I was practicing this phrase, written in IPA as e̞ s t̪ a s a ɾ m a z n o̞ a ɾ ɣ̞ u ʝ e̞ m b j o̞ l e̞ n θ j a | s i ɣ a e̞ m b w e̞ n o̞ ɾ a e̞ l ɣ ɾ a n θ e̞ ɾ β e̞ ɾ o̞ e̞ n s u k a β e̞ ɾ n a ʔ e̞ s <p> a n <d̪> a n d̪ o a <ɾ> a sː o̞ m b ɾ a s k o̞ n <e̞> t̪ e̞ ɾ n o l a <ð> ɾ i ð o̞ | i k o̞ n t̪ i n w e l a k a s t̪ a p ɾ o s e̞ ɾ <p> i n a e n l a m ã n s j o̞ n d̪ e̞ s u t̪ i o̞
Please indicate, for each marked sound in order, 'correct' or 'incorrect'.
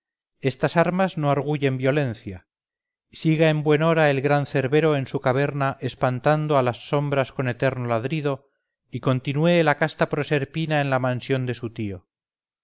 correct, incorrect, incorrect, correct, correct, correct

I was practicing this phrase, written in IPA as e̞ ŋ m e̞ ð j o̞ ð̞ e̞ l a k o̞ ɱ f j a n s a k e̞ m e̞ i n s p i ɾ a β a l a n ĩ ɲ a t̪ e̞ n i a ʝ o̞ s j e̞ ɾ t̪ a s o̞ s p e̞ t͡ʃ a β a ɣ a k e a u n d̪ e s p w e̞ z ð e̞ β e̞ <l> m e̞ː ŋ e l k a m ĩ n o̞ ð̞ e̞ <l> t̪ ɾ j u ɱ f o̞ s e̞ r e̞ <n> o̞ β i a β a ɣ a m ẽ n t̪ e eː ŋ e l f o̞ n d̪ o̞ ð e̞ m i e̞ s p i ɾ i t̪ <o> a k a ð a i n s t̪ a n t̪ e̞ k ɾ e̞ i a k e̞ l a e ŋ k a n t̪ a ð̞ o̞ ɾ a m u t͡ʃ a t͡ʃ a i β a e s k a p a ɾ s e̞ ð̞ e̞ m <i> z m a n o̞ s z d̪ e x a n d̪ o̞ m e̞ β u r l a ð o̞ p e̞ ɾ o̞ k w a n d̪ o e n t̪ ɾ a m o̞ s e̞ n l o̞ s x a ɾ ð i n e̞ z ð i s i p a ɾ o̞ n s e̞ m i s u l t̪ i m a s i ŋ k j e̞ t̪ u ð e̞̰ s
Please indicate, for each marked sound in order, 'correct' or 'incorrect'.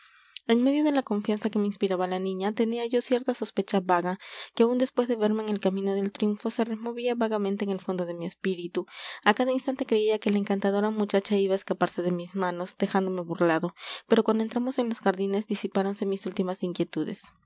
incorrect, correct, incorrect, incorrect, correct

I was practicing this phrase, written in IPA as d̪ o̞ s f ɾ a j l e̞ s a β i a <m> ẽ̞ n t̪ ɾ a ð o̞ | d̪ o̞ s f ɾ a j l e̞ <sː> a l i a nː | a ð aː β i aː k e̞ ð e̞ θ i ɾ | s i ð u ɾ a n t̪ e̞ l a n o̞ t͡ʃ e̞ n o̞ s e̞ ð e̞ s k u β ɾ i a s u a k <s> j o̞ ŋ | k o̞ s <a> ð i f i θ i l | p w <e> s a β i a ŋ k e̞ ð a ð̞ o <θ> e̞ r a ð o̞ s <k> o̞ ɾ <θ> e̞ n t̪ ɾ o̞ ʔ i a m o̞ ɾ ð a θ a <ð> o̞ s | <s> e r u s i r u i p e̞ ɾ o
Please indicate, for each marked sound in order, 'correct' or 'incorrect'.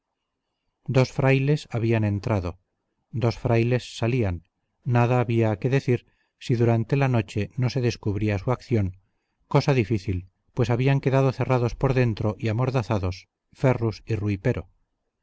incorrect, correct, incorrect, correct, correct, correct, incorrect, incorrect, correct, incorrect

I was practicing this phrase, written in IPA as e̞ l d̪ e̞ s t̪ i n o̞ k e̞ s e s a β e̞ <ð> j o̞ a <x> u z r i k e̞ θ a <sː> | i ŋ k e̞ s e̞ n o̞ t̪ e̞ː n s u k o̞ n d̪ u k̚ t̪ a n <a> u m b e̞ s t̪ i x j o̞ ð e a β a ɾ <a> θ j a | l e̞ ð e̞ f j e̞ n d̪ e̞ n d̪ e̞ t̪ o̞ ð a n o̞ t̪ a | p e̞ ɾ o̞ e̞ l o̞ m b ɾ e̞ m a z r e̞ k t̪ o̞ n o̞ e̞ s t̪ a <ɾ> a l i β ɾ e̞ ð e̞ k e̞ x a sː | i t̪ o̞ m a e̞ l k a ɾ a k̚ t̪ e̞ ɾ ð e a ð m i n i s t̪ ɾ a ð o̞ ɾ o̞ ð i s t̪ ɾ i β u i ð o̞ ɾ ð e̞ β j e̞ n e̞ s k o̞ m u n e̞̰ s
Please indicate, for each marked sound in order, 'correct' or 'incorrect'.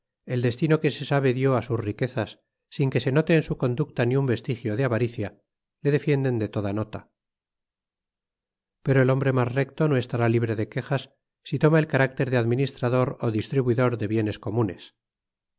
correct, incorrect, correct, incorrect, incorrect, correct

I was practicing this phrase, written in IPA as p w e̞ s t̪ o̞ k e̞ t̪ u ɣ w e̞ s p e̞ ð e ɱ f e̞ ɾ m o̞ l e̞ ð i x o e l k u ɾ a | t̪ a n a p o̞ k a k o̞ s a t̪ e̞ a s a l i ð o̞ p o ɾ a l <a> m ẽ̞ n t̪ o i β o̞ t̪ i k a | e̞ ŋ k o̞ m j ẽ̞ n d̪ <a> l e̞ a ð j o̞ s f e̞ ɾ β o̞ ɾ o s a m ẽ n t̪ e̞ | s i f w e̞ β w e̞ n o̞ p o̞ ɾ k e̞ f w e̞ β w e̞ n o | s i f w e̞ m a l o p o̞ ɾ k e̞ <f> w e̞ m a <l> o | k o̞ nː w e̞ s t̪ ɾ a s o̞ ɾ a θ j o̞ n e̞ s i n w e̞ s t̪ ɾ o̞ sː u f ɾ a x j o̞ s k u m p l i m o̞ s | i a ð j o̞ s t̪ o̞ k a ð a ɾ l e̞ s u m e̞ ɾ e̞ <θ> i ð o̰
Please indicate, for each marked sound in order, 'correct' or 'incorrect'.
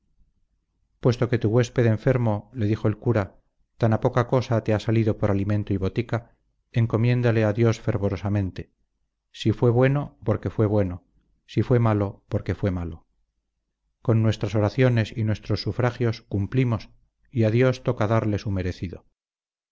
incorrect, correct, correct, correct, correct

